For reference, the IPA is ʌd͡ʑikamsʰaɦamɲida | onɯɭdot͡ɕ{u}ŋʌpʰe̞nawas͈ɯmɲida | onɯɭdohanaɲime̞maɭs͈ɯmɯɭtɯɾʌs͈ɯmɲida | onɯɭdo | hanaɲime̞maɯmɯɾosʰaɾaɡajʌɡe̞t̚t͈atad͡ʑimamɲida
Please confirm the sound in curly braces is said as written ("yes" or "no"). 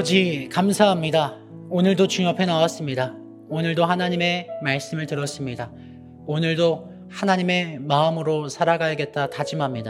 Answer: yes